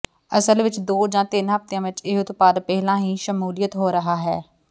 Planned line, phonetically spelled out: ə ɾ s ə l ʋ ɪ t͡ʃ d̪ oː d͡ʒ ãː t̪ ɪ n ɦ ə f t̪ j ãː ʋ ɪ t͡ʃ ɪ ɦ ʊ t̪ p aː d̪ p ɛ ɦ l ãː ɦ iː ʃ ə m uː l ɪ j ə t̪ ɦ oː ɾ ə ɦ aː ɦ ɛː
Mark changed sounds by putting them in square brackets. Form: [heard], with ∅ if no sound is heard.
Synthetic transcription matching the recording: ə [∅] s ə l ʋ ɪ t͡ʃ d̪ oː d͡ʒ ãː t̪ ɪ n ɦ ə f t̪ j ãː ʋ ɪ t͡ʃ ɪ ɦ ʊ t̪ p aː d̪ p ɛ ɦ l ãː ɦ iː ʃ ə m uː l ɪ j ə t̪ ɦ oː ɾ ə ɦ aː ɦ ɛː